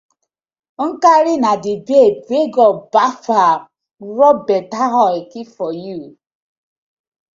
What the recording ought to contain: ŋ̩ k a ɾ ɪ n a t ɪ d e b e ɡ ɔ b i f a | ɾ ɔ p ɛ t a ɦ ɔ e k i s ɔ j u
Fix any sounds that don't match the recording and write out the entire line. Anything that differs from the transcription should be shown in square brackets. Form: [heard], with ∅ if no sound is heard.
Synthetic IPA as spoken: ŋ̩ k a ɾ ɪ n a [d] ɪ [b] e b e ɡ ɔ b [a] f a | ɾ ɔ [b] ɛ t a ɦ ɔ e k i [f] ɔ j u